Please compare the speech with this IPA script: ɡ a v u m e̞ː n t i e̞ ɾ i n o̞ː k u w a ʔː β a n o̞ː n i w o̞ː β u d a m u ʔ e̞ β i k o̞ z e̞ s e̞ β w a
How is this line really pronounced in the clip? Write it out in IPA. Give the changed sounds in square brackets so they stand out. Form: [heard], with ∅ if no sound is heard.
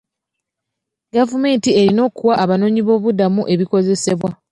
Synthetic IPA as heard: ɡ a v u m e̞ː n t i e̞ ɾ i n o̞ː k u w a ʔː β a n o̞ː [ɲ] i [β] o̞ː β u d a m u ʔ e̞ β i k o̞ z e̞ s e̞ β w a